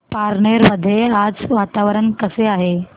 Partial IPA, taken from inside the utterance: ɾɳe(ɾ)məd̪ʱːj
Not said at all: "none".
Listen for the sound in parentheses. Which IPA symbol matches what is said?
ɾ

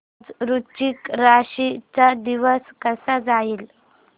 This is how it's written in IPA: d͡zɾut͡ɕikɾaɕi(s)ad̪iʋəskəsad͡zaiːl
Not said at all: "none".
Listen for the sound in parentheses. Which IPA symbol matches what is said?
t͡s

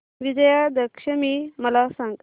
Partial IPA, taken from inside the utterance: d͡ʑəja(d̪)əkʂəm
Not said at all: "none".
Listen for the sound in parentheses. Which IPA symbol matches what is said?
d̪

